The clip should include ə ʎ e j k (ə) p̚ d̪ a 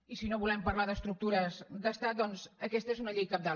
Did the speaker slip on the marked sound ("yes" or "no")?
yes